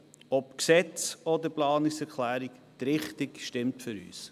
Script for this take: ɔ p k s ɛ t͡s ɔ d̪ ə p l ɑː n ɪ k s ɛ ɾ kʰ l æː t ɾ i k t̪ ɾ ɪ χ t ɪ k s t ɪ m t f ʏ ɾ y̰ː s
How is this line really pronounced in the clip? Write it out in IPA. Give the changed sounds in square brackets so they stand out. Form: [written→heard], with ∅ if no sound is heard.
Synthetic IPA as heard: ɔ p k s ɛ t͡s ɔ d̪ ə p l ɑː n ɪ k s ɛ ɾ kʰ l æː [t→∅] ɾ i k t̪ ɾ ɪ χ t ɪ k [s→ʃ] t ɪ m t f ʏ ɾ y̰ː s